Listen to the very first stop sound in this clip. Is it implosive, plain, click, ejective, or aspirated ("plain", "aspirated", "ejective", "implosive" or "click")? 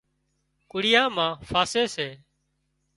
plain